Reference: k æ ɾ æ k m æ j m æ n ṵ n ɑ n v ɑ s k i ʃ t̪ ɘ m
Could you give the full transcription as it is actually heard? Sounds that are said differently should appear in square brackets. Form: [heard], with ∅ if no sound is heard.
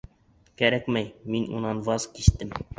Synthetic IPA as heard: k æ ɾ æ k m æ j m [i] n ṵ n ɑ n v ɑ [z] k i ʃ t̪ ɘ m